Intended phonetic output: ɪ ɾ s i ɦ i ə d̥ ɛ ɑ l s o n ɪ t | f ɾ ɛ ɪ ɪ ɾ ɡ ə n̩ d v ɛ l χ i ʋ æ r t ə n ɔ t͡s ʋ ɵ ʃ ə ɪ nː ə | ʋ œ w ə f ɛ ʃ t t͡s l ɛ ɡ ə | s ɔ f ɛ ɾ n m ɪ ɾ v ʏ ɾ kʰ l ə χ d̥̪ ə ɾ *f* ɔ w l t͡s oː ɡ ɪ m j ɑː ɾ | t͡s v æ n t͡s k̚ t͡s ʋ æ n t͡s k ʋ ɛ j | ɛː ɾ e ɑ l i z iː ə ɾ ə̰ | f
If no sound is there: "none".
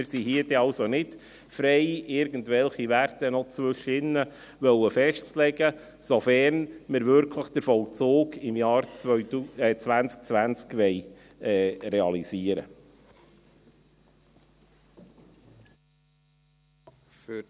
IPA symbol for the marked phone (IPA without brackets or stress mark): f